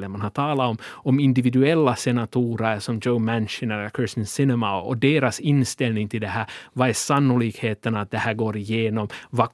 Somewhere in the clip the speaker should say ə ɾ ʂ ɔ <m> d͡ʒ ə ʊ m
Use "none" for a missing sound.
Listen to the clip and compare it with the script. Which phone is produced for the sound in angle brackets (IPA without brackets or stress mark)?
m